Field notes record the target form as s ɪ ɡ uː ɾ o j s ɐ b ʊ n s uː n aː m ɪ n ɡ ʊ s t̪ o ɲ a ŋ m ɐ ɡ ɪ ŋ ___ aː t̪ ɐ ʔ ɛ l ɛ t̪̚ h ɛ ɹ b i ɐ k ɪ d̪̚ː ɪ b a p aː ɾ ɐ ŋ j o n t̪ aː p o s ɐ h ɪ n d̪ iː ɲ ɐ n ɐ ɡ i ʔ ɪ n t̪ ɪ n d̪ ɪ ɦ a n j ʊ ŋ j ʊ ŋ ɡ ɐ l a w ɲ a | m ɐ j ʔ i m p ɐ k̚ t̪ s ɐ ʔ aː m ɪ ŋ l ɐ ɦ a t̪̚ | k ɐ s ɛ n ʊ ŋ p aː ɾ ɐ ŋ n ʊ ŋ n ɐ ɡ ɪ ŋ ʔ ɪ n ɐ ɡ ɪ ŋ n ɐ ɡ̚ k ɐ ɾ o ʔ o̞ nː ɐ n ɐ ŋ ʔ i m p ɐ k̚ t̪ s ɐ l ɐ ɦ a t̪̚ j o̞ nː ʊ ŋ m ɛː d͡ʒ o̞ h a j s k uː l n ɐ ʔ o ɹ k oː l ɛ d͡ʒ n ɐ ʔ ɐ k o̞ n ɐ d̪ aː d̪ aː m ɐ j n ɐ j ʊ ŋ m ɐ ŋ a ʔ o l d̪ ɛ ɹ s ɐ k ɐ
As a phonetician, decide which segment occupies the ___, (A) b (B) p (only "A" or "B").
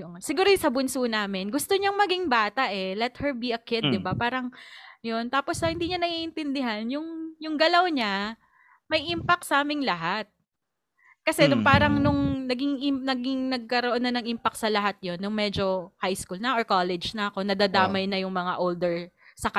A